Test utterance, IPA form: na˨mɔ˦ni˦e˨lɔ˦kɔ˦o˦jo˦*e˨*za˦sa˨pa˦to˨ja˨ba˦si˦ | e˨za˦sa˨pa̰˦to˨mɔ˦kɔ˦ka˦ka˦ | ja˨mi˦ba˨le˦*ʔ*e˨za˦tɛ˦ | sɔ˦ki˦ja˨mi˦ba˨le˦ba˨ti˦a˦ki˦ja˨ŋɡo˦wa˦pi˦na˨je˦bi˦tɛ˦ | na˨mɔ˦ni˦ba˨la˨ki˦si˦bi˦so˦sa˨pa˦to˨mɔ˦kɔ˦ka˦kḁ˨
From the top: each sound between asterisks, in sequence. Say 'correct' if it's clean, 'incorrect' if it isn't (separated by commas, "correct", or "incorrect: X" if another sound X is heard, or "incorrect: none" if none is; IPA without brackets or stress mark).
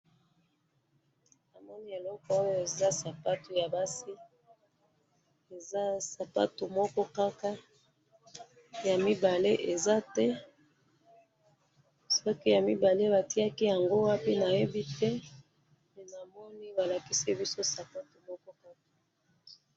correct, correct